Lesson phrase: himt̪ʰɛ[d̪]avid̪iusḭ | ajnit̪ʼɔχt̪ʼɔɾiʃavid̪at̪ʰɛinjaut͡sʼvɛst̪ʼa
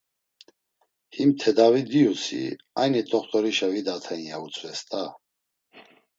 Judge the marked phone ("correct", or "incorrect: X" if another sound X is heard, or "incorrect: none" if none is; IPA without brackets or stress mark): correct